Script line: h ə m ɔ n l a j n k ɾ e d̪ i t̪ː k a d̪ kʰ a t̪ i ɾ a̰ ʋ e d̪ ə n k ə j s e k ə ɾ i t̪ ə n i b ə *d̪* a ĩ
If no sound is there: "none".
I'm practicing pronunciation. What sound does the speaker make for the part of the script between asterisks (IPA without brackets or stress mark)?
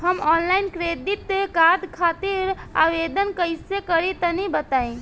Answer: t̪